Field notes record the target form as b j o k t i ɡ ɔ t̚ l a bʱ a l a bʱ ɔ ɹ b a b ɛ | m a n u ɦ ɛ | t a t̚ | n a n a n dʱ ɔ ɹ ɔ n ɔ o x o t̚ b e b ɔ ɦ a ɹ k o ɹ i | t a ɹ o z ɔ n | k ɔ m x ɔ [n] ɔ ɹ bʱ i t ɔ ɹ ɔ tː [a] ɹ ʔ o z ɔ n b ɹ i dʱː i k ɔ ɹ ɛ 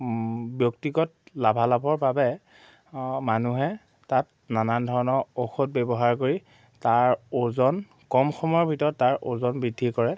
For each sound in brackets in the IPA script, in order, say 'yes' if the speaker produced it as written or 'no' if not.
no, yes

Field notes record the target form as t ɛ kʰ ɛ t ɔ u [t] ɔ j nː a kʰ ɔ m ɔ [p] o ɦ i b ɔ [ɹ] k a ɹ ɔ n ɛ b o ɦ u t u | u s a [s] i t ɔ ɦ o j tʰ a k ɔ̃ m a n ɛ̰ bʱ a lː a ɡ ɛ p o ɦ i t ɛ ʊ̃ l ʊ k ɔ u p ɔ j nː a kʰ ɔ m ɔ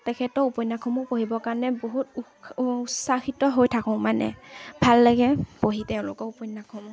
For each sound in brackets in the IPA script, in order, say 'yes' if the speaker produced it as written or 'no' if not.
no, yes, no, no

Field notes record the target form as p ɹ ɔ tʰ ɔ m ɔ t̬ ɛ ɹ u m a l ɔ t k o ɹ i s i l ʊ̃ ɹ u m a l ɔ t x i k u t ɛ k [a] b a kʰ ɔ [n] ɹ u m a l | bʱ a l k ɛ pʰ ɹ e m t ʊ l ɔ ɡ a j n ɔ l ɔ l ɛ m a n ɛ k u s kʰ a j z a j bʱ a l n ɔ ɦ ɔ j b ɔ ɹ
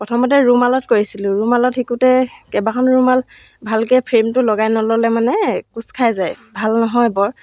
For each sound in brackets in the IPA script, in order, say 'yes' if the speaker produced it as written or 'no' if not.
no, yes

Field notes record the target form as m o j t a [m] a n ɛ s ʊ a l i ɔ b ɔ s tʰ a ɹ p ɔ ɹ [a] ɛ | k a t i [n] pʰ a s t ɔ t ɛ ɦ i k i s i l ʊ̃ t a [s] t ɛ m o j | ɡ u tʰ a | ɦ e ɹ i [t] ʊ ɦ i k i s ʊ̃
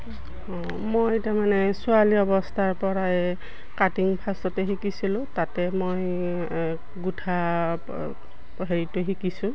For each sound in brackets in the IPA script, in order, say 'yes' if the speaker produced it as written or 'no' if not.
yes, yes, no, no, yes

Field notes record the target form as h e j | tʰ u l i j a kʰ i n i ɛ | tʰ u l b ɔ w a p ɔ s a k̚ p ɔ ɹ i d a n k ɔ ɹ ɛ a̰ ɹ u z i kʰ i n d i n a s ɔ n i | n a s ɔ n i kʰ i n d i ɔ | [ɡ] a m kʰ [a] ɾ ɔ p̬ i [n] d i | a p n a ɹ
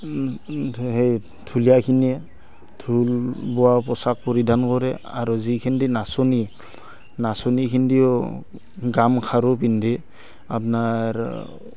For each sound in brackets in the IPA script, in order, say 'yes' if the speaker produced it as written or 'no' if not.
yes, yes, yes

